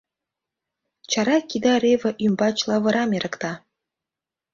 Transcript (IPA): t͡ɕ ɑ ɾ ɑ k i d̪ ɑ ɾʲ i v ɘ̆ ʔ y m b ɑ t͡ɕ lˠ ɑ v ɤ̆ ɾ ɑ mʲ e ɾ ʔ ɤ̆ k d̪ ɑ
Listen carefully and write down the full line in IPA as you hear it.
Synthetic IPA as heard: t͡ɕ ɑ ɾ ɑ k i d̪ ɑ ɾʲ e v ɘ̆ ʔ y m b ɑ t͡ɕ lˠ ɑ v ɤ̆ ɾ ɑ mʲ e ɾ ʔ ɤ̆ k t̪ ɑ